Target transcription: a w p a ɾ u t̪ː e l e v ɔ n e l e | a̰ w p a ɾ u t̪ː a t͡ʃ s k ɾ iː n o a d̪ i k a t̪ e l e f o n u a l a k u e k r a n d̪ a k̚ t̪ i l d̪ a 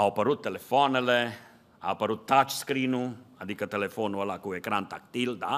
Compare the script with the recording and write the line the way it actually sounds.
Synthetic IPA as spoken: a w p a ɾ u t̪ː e l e f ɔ n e l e | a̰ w p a ɾ u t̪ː a t͡ʃ s k ɾ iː n u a d̪ i k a t̪ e l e f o n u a l a k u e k ɾ a n t̪ a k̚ t̪ i l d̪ a